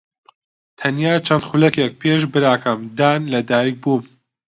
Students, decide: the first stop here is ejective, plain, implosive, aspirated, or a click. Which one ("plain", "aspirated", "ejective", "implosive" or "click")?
aspirated